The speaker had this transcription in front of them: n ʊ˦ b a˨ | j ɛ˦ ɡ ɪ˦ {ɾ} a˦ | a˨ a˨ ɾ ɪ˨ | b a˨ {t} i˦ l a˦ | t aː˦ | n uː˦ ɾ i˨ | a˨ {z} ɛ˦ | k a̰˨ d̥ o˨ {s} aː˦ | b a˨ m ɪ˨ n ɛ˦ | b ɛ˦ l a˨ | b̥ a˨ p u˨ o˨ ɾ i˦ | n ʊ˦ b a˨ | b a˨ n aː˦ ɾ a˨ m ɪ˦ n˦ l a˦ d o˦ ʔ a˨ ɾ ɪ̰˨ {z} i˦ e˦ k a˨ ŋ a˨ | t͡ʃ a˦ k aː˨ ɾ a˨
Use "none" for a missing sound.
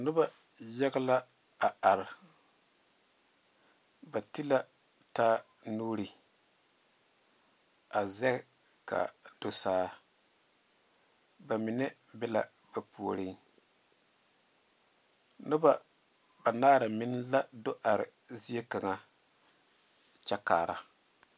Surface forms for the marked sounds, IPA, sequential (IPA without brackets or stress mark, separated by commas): l, t, z, s, z